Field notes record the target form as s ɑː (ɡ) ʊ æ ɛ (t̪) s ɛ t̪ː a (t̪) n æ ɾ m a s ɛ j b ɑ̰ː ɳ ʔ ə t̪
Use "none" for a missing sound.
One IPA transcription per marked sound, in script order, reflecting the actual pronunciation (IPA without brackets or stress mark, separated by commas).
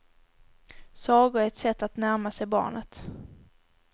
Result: ɡ, t̪, t̪